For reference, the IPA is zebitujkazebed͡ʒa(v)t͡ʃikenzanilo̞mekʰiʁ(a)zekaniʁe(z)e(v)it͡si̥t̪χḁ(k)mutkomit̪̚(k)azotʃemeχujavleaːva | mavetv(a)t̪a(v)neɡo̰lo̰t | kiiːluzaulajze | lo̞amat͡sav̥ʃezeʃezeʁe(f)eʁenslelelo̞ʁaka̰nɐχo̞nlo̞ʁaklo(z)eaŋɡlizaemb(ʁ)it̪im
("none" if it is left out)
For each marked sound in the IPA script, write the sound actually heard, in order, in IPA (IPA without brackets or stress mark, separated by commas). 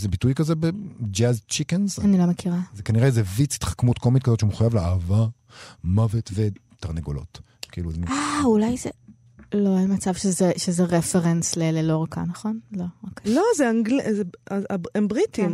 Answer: z, a, z, v, k, k, e, ʁ, f, z, ʁ